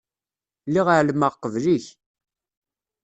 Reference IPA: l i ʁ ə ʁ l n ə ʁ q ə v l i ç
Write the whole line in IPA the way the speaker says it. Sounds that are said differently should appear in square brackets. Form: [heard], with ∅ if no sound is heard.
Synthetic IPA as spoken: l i ʁ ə [ʕ] l [m] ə ʁ q ə v l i ç